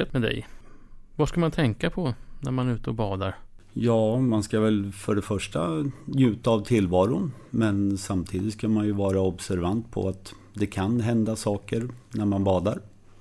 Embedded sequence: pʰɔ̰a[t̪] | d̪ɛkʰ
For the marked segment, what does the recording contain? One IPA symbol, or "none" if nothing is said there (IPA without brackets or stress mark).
t̪